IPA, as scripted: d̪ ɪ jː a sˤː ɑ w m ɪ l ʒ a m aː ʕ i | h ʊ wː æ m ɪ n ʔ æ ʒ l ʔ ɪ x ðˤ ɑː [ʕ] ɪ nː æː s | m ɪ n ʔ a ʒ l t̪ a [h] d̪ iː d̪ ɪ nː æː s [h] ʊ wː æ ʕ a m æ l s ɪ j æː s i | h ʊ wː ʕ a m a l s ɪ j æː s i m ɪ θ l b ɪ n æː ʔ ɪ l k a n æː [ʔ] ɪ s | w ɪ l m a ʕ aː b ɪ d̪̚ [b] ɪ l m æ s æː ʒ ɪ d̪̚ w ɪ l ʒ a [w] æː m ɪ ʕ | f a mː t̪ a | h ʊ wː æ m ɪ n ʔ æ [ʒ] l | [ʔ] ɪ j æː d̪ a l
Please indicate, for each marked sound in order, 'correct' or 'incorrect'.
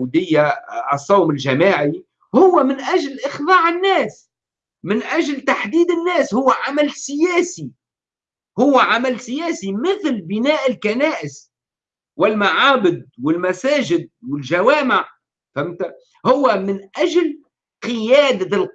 correct, incorrect: ħ, correct, correct, incorrect: w, correct, correct, incorrect: q

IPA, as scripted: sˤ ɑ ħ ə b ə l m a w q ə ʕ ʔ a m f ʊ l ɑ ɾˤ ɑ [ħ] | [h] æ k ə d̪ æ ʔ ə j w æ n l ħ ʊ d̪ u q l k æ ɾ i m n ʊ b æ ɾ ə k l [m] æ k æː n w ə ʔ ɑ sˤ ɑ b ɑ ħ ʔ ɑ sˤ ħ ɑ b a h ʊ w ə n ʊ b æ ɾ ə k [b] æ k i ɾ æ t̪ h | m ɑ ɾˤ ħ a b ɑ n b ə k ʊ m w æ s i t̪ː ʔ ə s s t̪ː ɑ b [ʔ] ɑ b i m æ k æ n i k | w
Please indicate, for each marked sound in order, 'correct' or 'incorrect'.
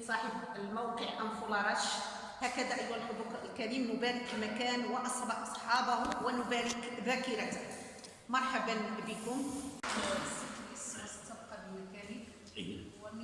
incorrect: ʃ, correct, correct, correct, incorrect: q

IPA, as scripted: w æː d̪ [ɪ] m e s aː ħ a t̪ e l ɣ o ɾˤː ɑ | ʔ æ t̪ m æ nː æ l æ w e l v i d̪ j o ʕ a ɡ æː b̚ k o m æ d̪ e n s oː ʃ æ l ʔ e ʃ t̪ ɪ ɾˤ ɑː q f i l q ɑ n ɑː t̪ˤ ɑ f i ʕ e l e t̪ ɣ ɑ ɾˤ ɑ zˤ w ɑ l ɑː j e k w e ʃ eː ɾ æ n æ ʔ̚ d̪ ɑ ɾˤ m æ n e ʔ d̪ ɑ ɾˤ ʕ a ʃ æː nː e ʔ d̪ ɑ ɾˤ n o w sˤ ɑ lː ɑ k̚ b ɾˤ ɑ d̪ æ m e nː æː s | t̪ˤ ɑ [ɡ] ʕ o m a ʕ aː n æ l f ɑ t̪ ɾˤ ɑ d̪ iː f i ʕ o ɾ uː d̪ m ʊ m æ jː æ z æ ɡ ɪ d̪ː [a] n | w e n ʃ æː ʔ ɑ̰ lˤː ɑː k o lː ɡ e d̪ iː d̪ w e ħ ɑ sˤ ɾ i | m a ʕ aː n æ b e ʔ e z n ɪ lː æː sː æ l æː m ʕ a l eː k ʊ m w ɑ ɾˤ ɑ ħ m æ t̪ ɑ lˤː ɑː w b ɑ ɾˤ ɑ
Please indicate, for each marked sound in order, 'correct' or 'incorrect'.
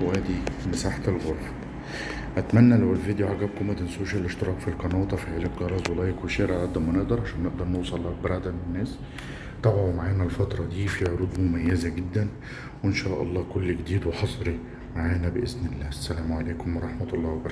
incorrect: i, incorrect: b, incorrect: æ

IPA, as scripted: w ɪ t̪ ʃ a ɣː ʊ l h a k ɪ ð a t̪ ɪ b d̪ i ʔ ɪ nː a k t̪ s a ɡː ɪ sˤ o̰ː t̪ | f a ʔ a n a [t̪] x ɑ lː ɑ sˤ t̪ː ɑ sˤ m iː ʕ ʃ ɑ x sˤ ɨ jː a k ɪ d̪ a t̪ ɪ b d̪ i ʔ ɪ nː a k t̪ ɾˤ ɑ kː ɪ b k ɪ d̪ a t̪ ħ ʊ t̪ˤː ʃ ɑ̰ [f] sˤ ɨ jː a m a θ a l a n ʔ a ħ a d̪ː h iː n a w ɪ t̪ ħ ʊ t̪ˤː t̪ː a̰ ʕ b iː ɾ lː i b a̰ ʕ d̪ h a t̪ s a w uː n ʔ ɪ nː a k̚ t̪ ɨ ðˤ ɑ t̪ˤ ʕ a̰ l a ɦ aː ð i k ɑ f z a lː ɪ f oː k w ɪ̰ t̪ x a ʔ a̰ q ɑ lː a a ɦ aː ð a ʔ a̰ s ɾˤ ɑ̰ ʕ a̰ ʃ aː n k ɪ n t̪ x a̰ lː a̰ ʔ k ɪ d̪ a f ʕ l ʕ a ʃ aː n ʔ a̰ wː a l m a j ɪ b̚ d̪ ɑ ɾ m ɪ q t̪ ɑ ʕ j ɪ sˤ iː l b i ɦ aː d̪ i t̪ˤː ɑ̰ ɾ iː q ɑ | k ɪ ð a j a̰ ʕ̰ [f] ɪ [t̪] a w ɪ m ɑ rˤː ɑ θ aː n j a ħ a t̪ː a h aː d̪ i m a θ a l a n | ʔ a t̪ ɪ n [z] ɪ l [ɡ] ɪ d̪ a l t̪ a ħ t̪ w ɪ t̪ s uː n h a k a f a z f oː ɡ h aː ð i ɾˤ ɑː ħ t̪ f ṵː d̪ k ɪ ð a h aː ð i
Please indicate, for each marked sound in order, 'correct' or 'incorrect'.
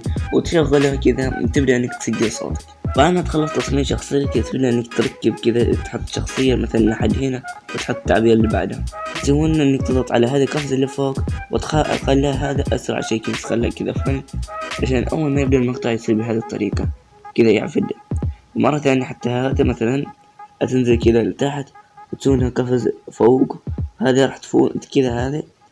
correct, incorrect: x, correct, incorrect: d̪, correct, incorrect: k

